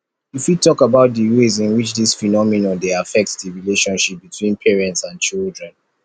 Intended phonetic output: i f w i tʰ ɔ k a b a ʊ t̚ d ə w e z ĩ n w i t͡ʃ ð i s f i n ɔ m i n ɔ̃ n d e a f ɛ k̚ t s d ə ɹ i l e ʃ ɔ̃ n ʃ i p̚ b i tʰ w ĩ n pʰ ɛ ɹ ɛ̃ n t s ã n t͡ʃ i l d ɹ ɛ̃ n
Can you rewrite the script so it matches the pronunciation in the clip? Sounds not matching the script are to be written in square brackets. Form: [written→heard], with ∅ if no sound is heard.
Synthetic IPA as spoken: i f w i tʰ ɔ k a b a ʊ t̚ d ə w e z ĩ n w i t͡ʃ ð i s f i n ɔ m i n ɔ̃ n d e a f ɛ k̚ t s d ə ɹ i l e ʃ ɔ̃ n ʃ i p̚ b i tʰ w ĩ n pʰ ɛ ɹ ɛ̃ n t s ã n t͡ʃ i l d ɹ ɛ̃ n

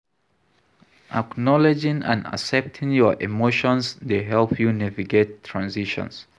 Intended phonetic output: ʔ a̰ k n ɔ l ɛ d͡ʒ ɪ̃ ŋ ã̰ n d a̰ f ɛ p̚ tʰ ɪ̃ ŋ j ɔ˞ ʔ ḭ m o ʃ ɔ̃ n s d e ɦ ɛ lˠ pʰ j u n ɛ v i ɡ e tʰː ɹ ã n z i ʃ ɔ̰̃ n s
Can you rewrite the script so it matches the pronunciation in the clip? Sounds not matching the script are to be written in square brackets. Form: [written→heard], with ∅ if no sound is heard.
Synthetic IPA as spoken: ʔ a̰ k n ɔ l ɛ d͡ʒ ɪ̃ ŋ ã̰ n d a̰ [f→s] ɛ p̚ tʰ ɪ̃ ŋ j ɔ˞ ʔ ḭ m o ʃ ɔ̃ n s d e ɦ ɛ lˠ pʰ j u n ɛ v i ɡ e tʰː ɹ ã n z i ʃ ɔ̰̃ n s

